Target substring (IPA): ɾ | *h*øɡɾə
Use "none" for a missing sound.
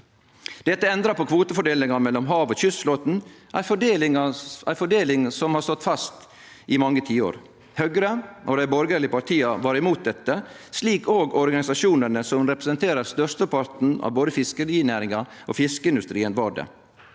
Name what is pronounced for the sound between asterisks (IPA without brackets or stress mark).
h